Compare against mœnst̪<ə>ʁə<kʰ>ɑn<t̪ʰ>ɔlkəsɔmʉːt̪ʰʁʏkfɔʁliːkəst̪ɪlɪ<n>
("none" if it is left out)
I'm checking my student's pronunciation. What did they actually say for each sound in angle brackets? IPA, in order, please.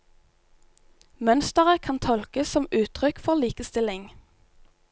ə, kʰ, t̪ʰ, ŋ

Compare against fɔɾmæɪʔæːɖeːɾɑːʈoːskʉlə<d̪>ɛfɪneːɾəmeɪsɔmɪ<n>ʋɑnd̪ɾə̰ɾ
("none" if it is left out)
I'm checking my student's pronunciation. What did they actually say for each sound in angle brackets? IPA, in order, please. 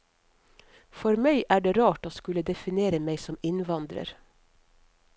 d̪, n

